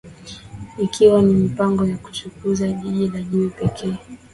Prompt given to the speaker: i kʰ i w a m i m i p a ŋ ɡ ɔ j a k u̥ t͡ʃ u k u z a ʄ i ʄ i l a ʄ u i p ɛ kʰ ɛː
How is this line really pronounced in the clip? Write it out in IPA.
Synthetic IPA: i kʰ i w a n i m i p a ŋ ɡ ɔ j a k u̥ t͡ʃ u k u z a ʄ i ʄ i l a ʄ u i p ɛ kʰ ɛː